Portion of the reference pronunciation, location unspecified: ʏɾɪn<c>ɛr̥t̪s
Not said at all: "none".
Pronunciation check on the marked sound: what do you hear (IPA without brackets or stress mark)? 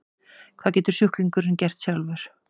c